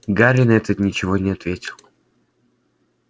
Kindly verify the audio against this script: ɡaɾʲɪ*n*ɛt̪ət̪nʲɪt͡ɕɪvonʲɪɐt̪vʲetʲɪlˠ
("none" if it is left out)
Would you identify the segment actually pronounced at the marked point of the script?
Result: n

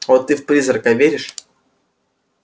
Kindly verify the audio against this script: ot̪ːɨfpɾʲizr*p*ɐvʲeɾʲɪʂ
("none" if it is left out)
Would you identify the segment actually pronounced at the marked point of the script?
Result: k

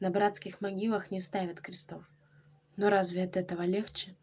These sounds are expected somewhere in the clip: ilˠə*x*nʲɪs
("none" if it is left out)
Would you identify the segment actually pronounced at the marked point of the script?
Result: x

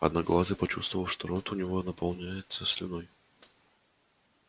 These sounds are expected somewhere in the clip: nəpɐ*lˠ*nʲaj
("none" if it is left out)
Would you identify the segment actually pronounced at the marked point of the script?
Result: lˠ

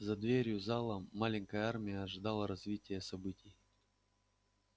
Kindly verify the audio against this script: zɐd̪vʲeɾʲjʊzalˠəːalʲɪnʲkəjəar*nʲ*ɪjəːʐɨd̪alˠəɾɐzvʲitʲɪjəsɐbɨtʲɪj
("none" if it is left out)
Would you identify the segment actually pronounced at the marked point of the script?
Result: mʲ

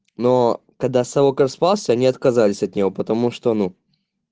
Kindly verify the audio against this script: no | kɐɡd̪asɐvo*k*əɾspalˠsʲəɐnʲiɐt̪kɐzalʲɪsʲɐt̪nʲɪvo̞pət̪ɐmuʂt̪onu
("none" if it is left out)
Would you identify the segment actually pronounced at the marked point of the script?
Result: k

